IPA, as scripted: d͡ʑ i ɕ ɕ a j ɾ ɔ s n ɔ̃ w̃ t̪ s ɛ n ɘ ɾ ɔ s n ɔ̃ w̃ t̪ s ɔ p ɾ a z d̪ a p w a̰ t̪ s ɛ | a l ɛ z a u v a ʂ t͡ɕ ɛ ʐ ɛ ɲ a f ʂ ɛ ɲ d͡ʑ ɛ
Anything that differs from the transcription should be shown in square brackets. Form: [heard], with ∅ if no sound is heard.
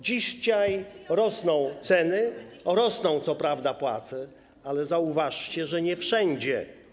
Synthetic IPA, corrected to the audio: d͡ʑ i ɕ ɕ a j ɾ ɔ s n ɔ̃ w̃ t̪ s ɛ n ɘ ɾ ɔ s n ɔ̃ w̃ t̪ s ɔ p ɾ a [v] d̪ a p w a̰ t̪ s ɛ | a l ɛ z a u v a ʂ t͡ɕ ɛ ʐ ɛ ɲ [ɛ] f ʂ ɛ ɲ d͡ʑ ɛ